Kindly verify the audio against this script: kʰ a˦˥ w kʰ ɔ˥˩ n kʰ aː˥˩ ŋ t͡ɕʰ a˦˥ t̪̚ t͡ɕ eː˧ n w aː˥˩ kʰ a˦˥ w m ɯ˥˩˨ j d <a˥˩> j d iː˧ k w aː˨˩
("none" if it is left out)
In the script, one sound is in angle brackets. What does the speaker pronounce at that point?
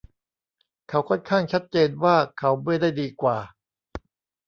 a˥˩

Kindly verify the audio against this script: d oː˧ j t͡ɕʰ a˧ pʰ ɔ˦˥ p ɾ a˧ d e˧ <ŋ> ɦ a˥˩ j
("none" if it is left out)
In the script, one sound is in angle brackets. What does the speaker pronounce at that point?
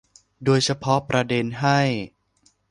n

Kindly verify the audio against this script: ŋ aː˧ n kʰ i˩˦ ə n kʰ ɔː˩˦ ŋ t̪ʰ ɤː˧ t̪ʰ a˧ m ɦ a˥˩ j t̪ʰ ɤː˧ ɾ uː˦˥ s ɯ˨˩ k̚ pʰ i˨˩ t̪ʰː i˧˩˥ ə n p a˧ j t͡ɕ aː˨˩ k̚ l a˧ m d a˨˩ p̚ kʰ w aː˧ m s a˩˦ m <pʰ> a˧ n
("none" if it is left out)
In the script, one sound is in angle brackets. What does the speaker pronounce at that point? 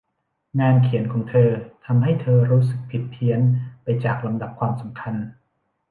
kʰ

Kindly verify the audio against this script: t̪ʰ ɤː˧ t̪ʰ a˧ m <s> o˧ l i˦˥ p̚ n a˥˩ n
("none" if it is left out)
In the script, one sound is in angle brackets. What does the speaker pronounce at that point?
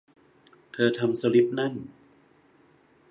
s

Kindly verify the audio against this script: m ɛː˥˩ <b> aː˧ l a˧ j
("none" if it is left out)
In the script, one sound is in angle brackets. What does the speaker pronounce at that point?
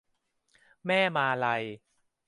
m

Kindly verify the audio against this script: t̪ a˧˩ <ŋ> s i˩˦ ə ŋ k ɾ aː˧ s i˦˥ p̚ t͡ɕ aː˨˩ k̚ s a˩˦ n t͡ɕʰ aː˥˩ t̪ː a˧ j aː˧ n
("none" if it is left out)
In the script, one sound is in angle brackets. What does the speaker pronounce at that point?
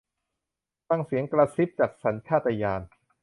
ŋ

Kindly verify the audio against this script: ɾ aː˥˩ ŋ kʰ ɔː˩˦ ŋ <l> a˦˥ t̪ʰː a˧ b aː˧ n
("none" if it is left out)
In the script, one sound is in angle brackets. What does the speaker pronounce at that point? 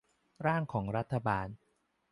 ɾ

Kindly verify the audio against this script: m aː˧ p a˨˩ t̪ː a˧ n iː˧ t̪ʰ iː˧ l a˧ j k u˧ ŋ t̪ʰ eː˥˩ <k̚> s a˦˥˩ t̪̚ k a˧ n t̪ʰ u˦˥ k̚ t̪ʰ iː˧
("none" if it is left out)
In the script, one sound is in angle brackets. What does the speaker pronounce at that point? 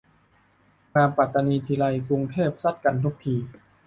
p̚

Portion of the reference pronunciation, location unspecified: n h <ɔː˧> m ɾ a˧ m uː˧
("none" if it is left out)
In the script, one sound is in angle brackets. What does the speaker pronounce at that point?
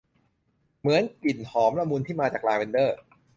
ɔː˩˦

